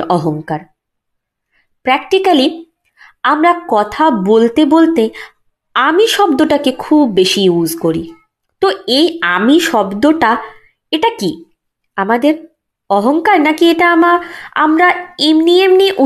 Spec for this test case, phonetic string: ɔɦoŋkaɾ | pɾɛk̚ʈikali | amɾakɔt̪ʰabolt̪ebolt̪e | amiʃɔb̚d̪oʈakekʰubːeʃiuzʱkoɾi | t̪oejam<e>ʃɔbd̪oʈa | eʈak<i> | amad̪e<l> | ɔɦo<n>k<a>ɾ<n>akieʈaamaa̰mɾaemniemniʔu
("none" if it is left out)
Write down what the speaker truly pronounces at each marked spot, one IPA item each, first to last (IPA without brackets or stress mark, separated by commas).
i, i, ɾ, ŋ, a, n